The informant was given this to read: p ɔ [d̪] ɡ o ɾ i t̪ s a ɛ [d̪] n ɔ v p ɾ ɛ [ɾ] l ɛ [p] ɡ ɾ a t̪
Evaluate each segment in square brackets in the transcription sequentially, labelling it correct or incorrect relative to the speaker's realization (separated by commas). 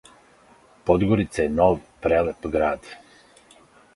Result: correct, incorrect, incorrect, correct